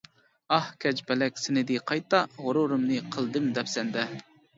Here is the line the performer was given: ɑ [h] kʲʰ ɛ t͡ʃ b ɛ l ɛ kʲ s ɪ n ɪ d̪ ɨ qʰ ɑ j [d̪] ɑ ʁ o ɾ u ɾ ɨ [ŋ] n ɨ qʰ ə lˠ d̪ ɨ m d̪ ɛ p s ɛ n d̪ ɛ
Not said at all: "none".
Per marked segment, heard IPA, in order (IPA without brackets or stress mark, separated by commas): h, t̪, m